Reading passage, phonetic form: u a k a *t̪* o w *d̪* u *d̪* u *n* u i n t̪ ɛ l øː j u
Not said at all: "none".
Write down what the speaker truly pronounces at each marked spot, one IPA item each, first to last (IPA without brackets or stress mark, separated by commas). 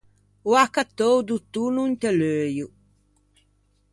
t̪, d̪, t̪, n